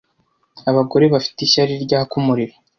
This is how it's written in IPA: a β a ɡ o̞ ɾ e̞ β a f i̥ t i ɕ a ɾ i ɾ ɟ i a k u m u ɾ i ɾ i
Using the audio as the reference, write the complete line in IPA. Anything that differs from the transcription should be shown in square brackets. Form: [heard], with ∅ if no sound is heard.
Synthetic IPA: a β a ɡ o̞ ɾ e̞ β a f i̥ t i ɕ a ɾ i ɾ ɟ [a] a k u m u ɾ i ɾ [a]

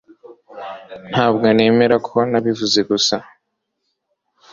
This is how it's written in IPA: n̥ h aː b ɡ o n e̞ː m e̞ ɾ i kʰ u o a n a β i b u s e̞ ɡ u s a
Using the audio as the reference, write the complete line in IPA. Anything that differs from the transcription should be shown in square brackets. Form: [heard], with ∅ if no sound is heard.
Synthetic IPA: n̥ h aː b ɡ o n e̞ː m e̞ ɾ [a] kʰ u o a n a β i [v] u [z] e̞ ɡ u s a

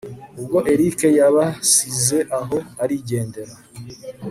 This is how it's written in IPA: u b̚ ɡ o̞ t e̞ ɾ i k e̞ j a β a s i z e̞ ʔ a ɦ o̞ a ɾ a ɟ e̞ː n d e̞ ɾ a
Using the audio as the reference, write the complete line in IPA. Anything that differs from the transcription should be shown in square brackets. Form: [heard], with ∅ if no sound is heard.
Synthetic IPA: u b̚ ɡ o̞ [ʔ] e̞ ɾ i k e̞ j a β a s i z e̞ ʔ a ɦ o̞ a ɾ [i] ɟ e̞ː n d e̞ ɾ a

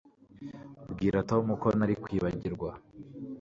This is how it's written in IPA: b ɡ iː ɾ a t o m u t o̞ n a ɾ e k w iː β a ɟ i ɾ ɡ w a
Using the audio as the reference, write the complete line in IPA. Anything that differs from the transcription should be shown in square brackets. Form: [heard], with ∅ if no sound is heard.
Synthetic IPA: b ɡ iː ɾ a t o m u [k] o̞ n a ɾ [i] k w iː β a ɟ i ɾ ɡ w a

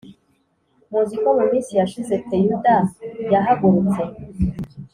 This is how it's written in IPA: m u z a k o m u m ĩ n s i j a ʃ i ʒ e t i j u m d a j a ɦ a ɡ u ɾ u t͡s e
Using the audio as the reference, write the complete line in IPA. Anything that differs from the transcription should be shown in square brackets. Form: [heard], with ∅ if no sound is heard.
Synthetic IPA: m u z [i] k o m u m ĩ n s i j a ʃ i [z] e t [e] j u [∅] d a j a ɦ a ɡ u ɾ u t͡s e

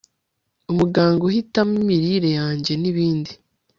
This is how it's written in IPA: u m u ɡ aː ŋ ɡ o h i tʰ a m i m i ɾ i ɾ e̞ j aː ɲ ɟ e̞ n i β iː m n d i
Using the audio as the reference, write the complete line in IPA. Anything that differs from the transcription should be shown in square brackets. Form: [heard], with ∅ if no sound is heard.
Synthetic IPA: u m u ɡ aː ŋ ɡ o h i [t] a m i m i ɾ i ɾ e̞ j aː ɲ ɟ e̞ n i β iː [∅] n d i

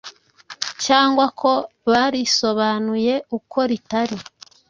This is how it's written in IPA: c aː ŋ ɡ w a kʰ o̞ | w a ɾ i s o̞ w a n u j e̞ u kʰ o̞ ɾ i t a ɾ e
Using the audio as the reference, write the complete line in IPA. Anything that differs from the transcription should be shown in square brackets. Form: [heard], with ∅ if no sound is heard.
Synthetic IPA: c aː ŋ ɡ w a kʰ o̞ | [β] a ɾ i s o̞ [β] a n u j e̞ u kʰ o̞ ɾ i t a ɾ [i]

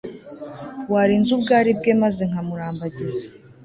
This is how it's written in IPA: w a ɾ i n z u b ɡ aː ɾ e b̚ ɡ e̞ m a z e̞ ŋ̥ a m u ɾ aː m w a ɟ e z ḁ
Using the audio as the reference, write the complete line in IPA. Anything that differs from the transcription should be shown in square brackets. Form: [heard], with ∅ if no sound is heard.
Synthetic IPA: w a ɾ i n z u b ɡ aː ɾ [i] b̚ ɡ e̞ m a z e̞ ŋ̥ a m u ɾ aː m [b] a ɟ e z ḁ

